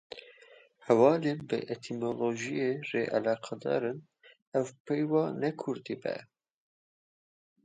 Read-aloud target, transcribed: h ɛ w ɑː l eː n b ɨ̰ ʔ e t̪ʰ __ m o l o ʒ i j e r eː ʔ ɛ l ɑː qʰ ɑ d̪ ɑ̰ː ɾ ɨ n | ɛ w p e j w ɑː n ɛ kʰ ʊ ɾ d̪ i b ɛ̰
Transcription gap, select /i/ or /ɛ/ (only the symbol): i